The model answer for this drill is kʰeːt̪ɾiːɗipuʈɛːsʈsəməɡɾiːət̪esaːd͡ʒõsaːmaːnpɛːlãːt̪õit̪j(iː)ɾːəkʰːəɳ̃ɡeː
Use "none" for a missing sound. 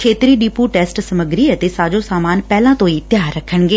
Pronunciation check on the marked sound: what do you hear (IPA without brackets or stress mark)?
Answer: aː